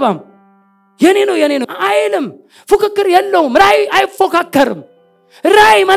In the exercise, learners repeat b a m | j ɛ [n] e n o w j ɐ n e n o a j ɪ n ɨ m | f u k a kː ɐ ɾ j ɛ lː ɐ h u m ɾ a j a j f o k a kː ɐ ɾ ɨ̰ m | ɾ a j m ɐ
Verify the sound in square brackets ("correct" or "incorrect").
correct